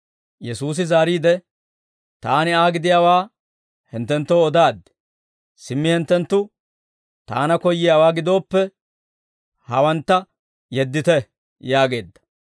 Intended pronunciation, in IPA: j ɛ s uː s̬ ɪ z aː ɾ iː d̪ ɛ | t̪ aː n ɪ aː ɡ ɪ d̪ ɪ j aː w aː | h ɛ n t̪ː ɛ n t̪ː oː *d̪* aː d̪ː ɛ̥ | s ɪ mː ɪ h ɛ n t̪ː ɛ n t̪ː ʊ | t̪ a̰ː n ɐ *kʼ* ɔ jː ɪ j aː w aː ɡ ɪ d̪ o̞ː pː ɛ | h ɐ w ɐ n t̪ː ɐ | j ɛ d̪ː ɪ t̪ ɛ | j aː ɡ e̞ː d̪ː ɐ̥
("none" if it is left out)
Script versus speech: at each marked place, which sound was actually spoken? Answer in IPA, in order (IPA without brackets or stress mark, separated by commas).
d̪, k